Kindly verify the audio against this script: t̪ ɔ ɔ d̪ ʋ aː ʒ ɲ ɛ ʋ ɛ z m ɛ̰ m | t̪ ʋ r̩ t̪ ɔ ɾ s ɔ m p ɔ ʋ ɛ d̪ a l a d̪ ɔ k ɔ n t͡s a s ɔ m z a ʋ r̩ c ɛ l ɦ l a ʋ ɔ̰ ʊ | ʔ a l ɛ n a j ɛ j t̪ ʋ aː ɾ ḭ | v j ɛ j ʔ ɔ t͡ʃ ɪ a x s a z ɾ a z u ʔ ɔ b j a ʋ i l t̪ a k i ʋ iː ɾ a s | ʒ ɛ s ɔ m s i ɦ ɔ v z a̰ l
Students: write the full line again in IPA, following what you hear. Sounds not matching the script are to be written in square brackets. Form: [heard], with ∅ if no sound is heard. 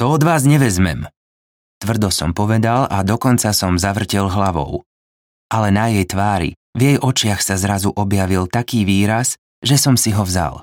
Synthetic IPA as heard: t̪ ɔ ɔ d̪ ʋ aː [z] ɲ ɛ ʋ ɛ z m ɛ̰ m | t̪ ʋ r̩ [d̪] ɔ [∅] s ɔ m p ɔ ʋ ɛ d̪ a l a d̪ ɔ k ɔ n t͡s a s ɔ m z a ʋ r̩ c ɛ l ɦ l a ʋ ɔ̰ ʊ | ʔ a l ɛ n a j ɛ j t̪ ʋ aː ɾ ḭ | v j ɛ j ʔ ɔ t͡ʃ ɪ a x s a z ɾ a z u ʔ ɔ b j a ʋ i l t̪ a k [iː] ʋ iː ɾ a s | ʒ ɛ s ɔ m s i ɦ ɔ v z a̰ l